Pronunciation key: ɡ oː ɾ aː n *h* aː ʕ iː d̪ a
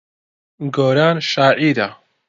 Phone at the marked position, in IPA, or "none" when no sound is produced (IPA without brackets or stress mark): ʃ